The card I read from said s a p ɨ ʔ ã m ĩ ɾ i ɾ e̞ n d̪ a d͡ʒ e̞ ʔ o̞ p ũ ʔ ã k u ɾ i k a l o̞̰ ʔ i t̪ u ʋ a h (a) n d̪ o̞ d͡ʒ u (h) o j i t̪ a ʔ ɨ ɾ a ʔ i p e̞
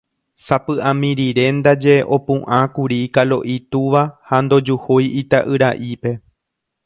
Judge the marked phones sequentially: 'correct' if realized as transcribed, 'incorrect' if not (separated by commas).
correct, correct